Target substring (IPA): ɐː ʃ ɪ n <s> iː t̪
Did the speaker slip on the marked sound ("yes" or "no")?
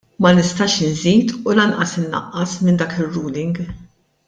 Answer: yes